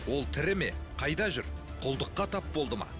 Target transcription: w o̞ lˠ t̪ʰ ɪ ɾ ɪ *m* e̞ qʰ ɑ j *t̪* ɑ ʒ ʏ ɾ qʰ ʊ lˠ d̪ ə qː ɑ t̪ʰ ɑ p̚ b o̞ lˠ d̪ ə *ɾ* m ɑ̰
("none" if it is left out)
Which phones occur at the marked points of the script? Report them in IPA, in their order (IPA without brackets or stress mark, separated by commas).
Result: m, d̪, none